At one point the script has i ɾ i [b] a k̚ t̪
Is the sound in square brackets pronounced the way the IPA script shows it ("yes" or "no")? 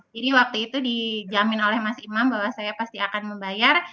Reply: no